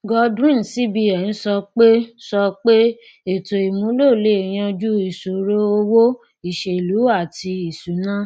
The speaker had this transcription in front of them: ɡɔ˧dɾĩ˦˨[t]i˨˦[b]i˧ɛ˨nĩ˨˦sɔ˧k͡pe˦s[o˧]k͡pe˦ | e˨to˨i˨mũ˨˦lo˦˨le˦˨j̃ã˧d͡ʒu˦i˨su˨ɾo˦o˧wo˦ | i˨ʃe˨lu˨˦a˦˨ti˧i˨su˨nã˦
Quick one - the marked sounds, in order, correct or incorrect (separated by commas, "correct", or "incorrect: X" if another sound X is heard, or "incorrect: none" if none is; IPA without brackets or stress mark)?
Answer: incorrect: s, correct, incorrect: ɔ˧